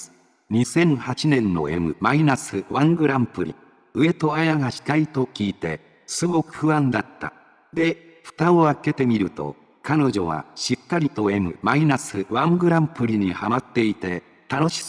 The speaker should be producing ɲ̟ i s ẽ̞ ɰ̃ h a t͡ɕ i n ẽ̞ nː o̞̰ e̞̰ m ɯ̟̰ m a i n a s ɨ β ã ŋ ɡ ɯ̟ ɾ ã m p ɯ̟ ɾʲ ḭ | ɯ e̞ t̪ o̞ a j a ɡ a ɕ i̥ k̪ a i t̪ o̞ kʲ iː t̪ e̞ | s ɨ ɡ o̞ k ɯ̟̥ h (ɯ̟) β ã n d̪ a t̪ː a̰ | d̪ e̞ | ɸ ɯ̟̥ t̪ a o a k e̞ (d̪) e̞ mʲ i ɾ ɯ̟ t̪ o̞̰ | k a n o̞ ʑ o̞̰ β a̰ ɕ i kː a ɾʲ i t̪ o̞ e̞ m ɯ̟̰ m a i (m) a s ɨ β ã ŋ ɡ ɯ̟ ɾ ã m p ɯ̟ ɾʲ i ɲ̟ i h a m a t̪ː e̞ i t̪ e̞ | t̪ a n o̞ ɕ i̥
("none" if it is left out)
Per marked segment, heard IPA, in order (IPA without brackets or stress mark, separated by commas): ɯ̟, t̪, n